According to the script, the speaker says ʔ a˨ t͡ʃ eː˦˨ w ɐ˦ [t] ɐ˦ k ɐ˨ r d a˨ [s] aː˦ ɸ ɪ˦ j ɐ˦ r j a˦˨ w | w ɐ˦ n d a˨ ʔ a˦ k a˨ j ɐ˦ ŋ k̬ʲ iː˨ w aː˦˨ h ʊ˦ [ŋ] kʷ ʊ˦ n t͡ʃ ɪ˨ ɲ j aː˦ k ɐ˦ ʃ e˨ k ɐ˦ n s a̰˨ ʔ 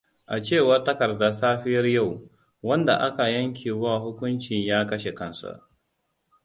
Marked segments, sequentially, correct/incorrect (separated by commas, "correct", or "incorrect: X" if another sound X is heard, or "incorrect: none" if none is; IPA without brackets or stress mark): correct, correct, incorrect: none